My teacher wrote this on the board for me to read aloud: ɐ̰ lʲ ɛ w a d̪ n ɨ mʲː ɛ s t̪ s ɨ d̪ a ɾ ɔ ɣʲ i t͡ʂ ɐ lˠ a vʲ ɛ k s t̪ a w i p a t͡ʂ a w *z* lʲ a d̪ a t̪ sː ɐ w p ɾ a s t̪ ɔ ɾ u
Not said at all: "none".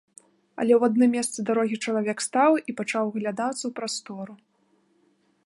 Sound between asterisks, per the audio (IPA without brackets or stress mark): ɣ